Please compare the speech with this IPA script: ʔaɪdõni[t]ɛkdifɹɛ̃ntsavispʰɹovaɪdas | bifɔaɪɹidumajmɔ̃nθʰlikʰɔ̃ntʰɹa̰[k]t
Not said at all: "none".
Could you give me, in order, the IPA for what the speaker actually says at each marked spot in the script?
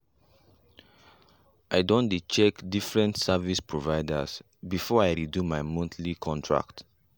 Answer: t͡ʃ, k

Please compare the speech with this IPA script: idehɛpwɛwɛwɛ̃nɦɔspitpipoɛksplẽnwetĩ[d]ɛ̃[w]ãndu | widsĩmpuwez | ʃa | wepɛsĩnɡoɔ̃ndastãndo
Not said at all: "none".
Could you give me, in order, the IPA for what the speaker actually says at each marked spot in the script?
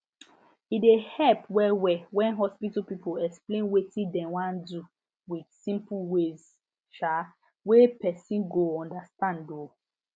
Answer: d, w

